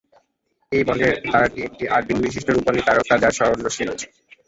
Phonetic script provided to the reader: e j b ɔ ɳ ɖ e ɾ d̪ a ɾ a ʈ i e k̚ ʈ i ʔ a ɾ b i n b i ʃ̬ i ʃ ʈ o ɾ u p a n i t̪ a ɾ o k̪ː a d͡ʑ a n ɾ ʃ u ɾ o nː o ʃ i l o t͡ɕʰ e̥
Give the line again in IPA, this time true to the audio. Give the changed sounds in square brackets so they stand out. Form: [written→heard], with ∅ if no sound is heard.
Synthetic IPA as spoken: e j b ɔ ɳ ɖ e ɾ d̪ a ɾ a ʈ i e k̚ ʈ i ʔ a ɾ b i n b i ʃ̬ i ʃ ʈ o ɾ u p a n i t̪ a ɾ o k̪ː a d͡ʑ a [n→∅] ɾ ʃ [u→ɔ] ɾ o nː o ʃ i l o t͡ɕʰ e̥